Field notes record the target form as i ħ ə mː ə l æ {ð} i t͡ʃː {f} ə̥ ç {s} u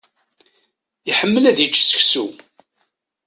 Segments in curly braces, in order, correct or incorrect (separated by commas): correct, incorrect, correct